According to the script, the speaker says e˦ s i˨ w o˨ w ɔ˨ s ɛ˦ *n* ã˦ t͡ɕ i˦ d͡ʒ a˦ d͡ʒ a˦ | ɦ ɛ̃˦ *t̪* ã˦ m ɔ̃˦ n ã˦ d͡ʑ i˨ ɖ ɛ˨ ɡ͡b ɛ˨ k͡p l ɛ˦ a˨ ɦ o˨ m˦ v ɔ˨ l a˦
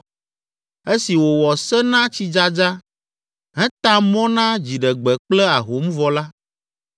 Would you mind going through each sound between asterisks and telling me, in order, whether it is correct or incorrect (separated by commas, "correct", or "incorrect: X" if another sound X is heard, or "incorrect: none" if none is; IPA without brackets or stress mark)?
correct, correct